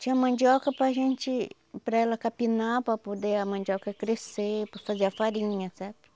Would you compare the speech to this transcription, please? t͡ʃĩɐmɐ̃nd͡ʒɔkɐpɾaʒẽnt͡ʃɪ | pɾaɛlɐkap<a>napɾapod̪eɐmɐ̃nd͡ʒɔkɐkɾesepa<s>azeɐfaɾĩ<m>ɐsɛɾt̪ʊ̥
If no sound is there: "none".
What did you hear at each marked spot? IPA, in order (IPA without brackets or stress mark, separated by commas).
i, f, ɲ